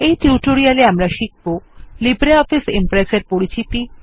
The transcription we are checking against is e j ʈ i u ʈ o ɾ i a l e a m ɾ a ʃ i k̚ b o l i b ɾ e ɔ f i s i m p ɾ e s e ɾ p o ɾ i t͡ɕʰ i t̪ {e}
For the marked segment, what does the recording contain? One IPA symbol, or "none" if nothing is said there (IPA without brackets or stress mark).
i